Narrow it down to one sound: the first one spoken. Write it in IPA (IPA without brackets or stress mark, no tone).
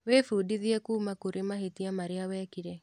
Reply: w